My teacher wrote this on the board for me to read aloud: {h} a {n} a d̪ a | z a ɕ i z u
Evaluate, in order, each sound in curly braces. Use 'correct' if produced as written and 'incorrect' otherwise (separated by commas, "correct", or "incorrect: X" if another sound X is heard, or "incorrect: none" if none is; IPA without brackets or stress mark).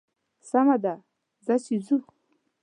incorrect: s, incorrect: m